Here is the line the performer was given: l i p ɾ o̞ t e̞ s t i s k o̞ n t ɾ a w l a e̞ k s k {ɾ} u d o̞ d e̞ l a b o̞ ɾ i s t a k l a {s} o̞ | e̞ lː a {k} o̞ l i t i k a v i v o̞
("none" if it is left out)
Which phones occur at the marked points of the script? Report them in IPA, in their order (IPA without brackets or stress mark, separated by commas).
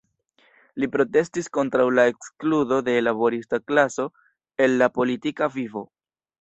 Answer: l, s, p